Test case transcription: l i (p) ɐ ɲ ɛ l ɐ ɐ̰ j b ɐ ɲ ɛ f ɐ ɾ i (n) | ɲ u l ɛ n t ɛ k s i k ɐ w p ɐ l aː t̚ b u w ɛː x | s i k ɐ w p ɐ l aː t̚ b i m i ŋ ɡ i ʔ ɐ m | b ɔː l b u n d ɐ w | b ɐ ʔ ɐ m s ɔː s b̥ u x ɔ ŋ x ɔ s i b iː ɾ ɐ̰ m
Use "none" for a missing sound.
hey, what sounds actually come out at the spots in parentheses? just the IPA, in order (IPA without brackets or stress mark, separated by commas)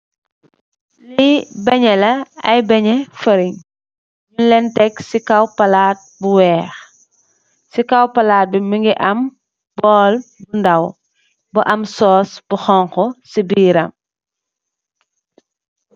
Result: b, ɲ